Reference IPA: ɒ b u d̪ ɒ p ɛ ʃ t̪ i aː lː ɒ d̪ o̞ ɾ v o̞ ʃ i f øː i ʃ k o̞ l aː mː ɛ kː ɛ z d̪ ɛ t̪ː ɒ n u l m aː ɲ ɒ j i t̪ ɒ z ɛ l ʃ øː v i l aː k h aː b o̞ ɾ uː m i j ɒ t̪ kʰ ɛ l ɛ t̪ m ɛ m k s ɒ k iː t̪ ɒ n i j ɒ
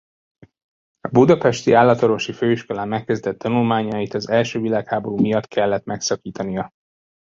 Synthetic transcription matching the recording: ɒ b u d̪ ɒ p ɛ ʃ t̪ i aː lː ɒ t̪ o̞ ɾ v o̞ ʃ i f øː i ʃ k o̞ l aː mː ɛ kː ɛ z d̪ ɛ t̪ː ɒ n u l m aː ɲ ɒ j i t̪ ɒ z ɛ l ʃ øː v i l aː k h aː b o̞ ɾ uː m i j ɒ t̪ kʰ ɛ lː ɛ t̪ m ɛ k s ɒ k iː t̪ ɒ n i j ɒ